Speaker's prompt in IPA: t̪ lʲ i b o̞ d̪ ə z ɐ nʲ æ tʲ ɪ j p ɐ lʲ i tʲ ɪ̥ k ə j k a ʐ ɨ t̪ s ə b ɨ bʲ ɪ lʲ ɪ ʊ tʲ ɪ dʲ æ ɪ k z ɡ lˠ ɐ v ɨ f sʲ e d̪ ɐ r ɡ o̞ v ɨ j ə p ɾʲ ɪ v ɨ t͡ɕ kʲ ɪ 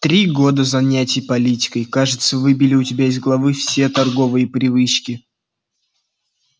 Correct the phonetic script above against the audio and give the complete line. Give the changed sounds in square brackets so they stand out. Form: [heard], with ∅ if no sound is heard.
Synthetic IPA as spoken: t̪ [ɾʲ] i [ɡ] o̞ d̪ ə z ɐ nʲ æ tʲ ɪ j p ɐ lʲ i tʲ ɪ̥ k ə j k a ʐ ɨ t̪ s ə [v] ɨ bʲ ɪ lʲ ɪ ʊ tʲ ɪ [bʲ] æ ɪ [∅] z ɡ lˠ ɐ v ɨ f sʲ e [t̪] ɐ r ɡ o̞ v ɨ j ə p ɾʲ ɪ v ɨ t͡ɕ kʲ ɪ

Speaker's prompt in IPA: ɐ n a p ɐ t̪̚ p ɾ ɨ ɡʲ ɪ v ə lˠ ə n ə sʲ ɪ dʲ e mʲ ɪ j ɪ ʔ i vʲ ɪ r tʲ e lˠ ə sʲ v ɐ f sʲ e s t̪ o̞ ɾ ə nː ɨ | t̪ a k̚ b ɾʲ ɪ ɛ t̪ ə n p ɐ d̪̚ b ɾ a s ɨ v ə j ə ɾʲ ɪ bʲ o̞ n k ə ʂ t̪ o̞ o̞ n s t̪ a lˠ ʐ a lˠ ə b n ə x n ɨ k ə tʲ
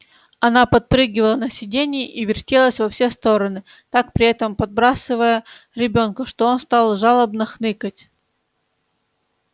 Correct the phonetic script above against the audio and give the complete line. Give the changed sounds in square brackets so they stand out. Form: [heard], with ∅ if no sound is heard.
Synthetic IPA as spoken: ɐ n a p ɐ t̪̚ p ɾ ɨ ɡʲ ɪ v ə lˠ ə n ə sʲ ɪ dʲ e [nʲ] ɪ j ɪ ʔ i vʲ ɪ r tʲ e lˠ ə sʲ v ɐ f sʲ e s t̪ o̞ ɾ ə [n] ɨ | t̪ a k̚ [p] ɾʲ ɪ ɛ t̪ ə [m] p ɐ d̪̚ b ɾ a s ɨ v ə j ə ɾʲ ɪ bʲ o̞ n k ə ʂ t̪ o̞ o̞ n s t̪ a lˠ ʐ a lˠ ə b n ə x n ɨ k ə tʲ

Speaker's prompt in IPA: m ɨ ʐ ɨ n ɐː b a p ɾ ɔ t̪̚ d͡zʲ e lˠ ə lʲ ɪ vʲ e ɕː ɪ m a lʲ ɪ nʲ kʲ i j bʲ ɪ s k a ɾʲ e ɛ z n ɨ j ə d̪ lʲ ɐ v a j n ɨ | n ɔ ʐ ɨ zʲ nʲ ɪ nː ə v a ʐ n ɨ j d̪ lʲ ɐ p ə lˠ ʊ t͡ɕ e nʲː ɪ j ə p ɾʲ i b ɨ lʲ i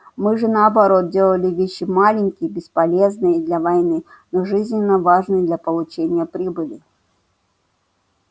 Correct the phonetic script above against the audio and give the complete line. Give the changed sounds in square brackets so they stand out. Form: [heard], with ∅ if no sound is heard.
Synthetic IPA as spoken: m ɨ ʐ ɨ n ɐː b a [∅] ɾ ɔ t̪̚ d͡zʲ e lˠ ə lʲ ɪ vʲ e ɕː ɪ m a lʲ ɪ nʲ kʲ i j bʲ ɪ s [p] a [lʲ] e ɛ z n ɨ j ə d̪ lʲ ɐ v a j n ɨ | n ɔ ʐ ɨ zʲ nʲ ɪ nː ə v a ʐ n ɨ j d̪ lʲ ɐ p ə lˠ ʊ t͡ɕ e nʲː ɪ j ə p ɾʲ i b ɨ lʲ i

